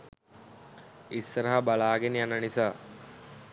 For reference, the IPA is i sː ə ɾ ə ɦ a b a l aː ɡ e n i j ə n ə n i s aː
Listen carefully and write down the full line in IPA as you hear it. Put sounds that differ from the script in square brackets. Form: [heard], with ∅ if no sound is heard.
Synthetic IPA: i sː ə ɾ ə ɦ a b a l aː ɡ e n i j [a] n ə n i s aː